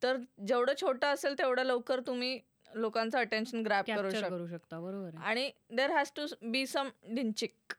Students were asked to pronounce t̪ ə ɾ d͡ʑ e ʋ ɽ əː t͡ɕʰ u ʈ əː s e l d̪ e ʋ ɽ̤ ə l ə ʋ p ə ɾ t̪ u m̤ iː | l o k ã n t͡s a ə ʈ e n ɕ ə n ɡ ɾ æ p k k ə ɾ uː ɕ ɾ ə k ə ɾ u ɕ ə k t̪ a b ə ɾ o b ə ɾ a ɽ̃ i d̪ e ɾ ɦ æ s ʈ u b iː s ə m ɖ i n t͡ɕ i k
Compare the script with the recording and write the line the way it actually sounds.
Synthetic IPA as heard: t̪ ə ɾ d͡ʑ e ʋ ɽ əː t͡ɕʰ o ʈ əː s e l t̪ e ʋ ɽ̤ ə l ə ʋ k ə ɾ t̪ u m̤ iː | l o k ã n t͡s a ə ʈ e n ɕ ə n ɡ ɾ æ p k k ə ɾ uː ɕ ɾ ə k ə ɾ u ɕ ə k t̪ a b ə ɾ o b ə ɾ a ɽ̃ i d̪ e ɾ ɦ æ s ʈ u b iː s ə m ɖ i n t͡ɕ i k